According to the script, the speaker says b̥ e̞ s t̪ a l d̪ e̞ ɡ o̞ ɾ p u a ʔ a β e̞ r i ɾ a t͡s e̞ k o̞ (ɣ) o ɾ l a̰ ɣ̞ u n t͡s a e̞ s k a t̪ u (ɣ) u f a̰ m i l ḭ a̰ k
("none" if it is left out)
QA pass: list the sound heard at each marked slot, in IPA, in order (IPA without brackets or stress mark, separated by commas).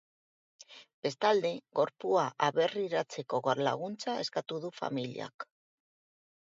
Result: ɣ, ð